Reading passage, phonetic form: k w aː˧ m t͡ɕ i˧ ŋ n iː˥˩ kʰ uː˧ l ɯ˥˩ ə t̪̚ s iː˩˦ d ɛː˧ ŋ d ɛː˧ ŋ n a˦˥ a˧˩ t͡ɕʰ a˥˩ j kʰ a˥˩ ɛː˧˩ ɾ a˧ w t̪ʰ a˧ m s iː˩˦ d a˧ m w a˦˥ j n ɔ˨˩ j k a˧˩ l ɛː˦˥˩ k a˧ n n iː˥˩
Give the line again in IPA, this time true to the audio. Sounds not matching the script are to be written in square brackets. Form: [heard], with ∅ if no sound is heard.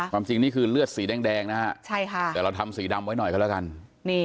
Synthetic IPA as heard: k w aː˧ m t͡ɕ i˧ ŋ n iː˥˩ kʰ [ɯː˧] l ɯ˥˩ ə t̪̚ s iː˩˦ d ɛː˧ ŋ d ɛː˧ ŋ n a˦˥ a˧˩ t͡ɕʰ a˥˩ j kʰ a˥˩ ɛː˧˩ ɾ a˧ w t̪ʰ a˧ m s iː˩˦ d a˧ m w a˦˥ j n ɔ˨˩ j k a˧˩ l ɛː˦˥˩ k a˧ n n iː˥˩